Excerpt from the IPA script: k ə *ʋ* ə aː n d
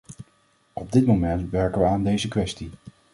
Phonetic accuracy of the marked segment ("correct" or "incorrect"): correct